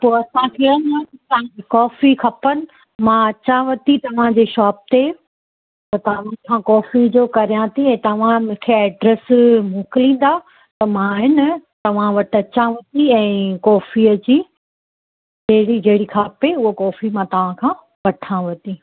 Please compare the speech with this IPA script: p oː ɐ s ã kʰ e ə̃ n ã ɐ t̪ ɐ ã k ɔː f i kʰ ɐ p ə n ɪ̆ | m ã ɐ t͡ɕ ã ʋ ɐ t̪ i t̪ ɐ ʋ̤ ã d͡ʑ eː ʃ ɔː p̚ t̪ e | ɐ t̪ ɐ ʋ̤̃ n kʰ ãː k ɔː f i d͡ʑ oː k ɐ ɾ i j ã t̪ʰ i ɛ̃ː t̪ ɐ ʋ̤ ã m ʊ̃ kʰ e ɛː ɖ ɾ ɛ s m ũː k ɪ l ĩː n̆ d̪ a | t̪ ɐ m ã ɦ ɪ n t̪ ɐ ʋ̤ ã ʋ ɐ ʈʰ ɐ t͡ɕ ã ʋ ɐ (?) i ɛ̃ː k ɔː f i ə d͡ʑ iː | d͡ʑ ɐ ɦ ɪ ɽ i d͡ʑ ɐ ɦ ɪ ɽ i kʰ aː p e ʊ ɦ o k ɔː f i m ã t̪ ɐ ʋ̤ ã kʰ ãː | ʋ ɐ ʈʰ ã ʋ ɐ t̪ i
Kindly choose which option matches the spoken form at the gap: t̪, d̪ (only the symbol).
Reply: t̪